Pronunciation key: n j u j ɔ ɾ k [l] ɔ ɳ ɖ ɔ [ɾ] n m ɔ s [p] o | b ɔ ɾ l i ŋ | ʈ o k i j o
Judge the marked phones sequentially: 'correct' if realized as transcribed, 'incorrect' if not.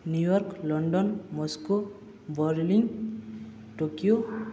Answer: correct, incorrect, incorrect

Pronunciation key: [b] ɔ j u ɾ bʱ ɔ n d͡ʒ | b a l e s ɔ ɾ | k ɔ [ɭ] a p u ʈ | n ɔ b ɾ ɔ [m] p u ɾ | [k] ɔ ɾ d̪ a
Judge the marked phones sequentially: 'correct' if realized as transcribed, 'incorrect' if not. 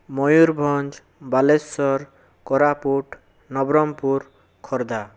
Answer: incorrect, incorrect, correct, incorrect

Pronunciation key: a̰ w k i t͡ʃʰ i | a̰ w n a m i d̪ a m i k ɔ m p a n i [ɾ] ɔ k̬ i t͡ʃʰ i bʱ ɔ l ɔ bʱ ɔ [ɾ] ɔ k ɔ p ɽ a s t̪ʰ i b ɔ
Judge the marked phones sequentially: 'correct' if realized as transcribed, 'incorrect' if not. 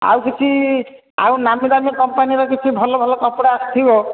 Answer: correct, incorrect

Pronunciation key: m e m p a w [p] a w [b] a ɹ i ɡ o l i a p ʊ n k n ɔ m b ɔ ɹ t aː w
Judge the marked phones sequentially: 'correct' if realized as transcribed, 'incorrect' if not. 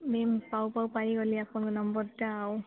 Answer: correct, incorrect

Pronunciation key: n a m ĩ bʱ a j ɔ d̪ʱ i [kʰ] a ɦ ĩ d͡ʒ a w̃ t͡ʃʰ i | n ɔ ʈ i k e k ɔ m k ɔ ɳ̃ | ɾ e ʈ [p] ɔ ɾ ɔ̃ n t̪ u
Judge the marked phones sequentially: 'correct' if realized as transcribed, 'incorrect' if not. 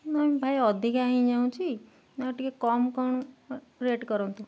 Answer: incorrect, incorrect

